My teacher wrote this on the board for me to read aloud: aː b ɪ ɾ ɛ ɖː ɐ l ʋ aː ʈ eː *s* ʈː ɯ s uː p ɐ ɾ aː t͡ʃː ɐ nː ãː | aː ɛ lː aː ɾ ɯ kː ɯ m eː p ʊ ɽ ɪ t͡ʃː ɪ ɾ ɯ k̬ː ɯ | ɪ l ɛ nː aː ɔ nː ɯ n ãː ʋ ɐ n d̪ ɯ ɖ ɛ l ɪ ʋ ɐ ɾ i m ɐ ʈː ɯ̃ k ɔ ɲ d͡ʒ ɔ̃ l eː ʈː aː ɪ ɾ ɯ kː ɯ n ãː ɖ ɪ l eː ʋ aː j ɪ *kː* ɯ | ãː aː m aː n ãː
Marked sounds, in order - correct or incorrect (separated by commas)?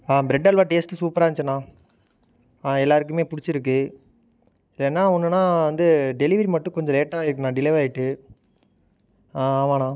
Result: correct, incorrect